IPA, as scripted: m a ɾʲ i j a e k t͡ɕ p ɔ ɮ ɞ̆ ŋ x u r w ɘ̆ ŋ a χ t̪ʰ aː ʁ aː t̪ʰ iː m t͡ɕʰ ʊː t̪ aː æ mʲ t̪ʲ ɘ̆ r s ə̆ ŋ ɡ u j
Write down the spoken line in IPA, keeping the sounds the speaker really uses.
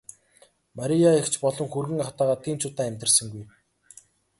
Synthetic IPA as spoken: m a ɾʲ i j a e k t͡ɕ p ɔ ɮ ɞ̆ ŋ x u r ɣ ɘ̆ ŋ a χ t̪ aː ʁ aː t̪ʰ iː m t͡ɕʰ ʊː t̪ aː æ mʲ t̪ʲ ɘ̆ r s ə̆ ŋ ɡ u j